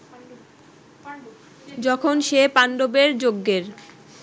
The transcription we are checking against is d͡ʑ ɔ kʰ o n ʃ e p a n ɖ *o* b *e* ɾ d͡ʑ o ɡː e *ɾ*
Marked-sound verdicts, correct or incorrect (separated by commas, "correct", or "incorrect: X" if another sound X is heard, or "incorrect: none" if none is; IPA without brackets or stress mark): correct, correct, correct